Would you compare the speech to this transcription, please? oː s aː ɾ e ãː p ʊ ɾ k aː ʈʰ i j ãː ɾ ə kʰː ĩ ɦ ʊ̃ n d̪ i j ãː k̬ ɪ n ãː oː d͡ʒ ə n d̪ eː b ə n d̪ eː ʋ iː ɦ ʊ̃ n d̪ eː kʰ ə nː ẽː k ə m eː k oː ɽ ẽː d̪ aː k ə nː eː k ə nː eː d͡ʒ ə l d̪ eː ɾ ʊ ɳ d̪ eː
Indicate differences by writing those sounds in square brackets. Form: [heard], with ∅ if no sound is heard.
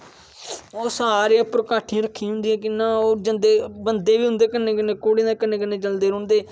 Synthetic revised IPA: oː s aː ɾ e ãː p ʊ ɾ k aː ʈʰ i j ãː ɾ ə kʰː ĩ ɦ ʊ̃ n d̪ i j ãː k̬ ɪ n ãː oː d͡ʒ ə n d̪ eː b ə n d̪ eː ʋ iː ɦ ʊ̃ n d̪ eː [k] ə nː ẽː k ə [n] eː k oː ɽ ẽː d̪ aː k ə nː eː k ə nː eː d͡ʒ ə l d̪ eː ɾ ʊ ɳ d̪ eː